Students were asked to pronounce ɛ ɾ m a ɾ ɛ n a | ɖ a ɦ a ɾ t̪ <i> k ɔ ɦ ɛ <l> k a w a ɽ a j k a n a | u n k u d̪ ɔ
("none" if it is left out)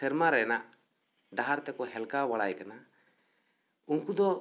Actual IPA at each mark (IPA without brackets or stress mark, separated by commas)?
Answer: ɛ, l